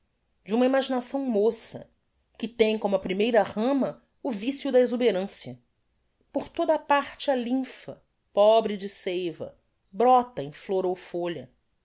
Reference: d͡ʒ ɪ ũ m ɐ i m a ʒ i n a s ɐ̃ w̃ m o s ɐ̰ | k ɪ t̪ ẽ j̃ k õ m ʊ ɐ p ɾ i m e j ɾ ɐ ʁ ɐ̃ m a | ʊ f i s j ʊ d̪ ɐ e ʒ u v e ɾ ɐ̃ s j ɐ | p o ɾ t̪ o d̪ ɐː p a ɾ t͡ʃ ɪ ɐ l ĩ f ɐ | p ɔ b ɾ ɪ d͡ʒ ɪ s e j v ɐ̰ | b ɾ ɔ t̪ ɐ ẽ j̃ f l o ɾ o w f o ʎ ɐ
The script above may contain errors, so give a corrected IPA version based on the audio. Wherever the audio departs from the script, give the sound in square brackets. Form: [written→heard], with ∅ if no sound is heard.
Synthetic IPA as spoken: d͡ʒ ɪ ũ m ɐ i m a ʒ i n a s ɐ̃ w̃ m o s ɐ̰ | k ɪ t̪ ẽ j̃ k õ m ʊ ɐ p ɾ i m e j ɾ ɐ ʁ ɐ̃ m [a→ɐ] | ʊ [f→v] i s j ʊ d̪ ɐ e [ʒ→z] u [v→b] e ɾ ɐ̃ s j ɐ | p o ɾ t̪ o d̪ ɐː p a ɾ t͡ʃ ɪ ɐ l ĩ f ɐ | p ɔ b ɾ ɪ d͡ʒ ɪ s e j v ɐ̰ | b ɾ ɔ t̪ ɐ ẽ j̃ f l o ɾ o w f o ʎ ɐ